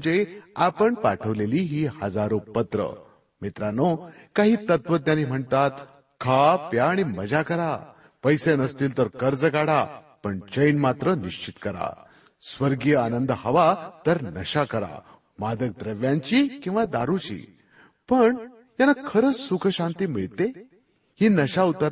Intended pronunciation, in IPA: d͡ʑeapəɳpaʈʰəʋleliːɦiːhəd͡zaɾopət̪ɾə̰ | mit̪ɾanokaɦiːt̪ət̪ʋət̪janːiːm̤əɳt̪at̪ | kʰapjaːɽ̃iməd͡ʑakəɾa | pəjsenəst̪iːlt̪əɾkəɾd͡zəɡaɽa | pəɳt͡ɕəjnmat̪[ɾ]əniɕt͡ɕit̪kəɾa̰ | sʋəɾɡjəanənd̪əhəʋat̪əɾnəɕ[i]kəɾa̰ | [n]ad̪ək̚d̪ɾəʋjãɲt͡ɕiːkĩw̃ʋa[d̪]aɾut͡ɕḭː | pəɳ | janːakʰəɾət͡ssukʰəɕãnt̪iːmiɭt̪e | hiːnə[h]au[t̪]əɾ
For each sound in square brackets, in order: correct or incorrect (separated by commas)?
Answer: correct, incorrect, incorrect, correct, incorrect, correct